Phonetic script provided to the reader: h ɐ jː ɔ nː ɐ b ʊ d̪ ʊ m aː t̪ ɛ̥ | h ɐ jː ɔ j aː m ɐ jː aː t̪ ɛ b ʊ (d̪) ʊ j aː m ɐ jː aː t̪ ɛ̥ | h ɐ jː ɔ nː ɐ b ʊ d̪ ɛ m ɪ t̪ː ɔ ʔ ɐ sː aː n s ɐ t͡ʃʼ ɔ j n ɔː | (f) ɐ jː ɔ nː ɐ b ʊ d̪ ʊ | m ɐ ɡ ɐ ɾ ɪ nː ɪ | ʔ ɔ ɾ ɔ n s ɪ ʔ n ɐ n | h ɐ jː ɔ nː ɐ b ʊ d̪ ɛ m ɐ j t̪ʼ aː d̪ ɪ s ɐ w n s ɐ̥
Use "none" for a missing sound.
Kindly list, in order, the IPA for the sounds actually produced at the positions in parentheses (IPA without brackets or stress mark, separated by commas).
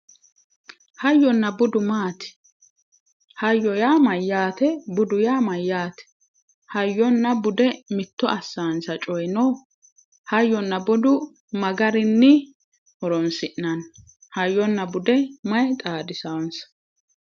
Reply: d̪, h